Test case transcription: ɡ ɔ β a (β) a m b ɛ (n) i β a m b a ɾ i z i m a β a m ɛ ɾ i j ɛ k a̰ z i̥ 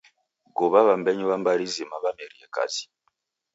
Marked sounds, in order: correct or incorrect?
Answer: correct, incorrect: ɲ

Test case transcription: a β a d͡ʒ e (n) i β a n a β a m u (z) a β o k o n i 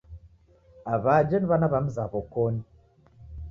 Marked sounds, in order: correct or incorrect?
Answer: correct, correct

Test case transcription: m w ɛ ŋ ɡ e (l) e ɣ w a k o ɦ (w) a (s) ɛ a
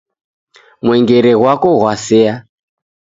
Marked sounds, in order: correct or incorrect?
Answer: incorrect: ɾ, correct, correct

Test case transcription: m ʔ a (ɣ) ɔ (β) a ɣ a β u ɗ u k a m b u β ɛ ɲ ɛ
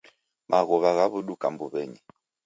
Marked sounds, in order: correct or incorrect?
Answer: correct, correct

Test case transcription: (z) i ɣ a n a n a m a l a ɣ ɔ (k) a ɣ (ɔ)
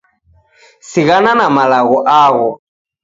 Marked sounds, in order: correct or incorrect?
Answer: incorrect: s, incorrect: ʔ, correct

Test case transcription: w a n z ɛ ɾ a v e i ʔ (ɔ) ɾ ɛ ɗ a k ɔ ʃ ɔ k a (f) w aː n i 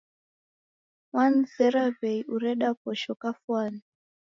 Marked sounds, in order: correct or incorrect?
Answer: incorrect: u, correct

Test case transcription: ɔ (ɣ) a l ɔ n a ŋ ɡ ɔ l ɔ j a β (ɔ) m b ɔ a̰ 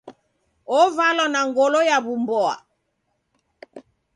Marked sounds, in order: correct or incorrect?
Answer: incorrect: v, incorrect: u

